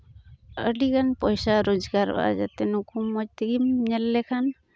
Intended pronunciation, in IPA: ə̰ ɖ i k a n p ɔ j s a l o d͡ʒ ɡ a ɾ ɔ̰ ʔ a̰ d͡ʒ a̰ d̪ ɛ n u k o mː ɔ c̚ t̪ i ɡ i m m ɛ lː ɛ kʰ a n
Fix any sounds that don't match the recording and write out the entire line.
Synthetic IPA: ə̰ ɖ i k a n p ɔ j s a ɾ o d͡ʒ ɡ a ɾ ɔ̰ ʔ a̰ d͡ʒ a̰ t̪ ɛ n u k u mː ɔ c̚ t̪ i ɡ i m ɲ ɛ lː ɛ kʰ a n